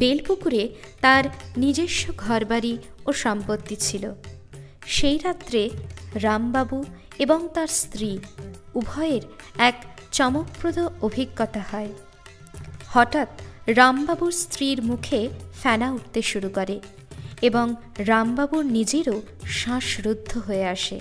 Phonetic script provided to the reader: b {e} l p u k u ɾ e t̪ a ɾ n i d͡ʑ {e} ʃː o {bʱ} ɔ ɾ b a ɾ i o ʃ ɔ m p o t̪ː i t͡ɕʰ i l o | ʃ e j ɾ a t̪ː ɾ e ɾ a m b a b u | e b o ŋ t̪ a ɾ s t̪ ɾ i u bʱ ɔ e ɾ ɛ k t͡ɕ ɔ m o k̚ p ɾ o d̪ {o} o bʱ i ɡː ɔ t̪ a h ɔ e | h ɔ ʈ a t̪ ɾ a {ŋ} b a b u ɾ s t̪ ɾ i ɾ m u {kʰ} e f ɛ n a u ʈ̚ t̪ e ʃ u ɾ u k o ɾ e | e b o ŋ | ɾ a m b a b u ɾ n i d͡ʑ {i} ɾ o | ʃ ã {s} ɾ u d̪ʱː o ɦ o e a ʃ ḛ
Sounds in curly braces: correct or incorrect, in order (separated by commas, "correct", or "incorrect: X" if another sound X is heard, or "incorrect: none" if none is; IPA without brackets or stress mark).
correct, correct, incorrect: ɡʱ, correct, incorrect: m, correct, incorrect: e, incorrect: ʃ